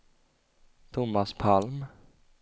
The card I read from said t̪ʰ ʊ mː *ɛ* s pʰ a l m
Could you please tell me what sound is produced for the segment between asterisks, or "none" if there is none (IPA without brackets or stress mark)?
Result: a